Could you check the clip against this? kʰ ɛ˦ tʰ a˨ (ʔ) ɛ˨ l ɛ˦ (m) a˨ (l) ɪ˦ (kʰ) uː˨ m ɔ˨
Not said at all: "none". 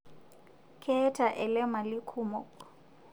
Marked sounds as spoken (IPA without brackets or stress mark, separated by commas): ʔ, m, l, kʰ